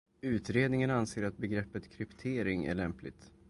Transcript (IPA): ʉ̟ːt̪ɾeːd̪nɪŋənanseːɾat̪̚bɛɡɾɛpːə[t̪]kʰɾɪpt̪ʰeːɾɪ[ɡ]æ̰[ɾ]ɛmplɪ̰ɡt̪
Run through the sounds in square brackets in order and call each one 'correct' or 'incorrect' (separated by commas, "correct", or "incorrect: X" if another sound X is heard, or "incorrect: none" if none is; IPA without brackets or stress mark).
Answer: correct, incorrect: ŋ, incorrect: ɭ